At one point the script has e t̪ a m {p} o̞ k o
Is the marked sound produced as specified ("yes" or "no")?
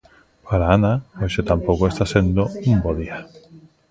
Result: yes